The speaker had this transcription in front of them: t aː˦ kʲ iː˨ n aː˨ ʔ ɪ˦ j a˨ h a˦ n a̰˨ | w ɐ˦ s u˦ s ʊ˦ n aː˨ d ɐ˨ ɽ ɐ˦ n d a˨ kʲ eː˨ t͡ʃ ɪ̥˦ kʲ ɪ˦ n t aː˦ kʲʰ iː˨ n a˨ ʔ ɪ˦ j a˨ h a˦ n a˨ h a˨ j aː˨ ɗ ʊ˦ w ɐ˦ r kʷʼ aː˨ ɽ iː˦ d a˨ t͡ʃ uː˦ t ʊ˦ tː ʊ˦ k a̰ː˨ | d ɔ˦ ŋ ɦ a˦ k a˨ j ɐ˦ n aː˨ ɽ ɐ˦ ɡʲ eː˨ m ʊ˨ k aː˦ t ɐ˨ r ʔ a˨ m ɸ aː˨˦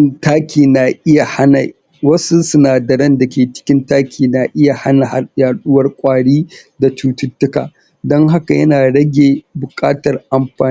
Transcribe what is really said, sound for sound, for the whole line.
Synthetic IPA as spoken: t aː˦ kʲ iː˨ n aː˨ ʔ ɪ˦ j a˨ h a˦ n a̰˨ | w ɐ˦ s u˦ s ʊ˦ n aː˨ d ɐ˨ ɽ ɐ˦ n d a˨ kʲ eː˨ t͡ʃ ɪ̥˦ kʲ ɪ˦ n t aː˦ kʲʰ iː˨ n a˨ ʔ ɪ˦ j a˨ h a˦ n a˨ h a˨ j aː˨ ɗ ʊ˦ w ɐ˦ r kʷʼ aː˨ ɽ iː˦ d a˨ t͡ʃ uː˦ t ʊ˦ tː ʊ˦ k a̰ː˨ | d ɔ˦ ŋ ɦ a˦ k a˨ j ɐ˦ n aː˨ ɽ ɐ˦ ɡʲ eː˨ b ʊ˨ kʼ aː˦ t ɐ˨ r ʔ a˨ m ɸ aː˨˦